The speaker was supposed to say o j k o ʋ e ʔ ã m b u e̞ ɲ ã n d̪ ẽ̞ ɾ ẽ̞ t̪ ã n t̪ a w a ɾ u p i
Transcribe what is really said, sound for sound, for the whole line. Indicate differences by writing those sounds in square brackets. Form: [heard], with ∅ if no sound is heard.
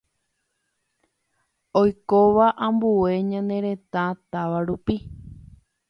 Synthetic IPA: o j k o ʋ [a] ʔ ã m b u e̞ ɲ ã n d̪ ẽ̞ ɾ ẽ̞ t̪ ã [∅] t̪ a [ʋ] a ɾ u p i